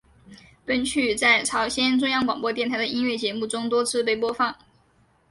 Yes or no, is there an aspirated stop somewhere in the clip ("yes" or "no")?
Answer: yes